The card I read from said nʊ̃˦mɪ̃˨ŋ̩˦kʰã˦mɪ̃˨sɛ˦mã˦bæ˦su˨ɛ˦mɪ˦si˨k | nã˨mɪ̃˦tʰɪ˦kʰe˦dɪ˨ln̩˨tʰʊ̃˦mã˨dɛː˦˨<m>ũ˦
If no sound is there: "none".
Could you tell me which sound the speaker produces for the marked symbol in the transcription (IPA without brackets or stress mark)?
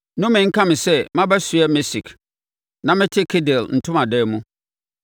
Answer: m